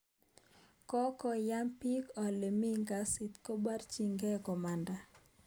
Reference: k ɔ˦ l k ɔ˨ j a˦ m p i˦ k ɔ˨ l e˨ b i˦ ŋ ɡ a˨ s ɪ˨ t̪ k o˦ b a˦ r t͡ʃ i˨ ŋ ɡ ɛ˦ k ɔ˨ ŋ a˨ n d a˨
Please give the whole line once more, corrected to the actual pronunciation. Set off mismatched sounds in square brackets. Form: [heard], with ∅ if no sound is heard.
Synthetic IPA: k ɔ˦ [∅] k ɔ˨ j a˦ m p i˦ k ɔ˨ l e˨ [m] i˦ ŋ ɡ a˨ s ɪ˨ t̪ k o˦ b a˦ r t͡ʃ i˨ ŋ ɡ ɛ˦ k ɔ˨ [m] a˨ n d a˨